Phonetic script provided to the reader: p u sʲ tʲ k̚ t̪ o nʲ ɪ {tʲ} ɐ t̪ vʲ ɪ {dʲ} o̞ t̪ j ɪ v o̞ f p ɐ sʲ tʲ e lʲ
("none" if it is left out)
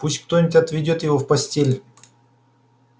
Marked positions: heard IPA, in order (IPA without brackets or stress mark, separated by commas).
tʲ, dʲ